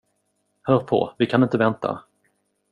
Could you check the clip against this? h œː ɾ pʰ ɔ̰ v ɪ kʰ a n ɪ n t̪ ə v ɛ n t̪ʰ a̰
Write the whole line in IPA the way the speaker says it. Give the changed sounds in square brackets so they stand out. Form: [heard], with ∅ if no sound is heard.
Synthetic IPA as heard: h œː ɾ pʰ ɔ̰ v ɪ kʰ a n ɪ n t̪ ə v ɛ n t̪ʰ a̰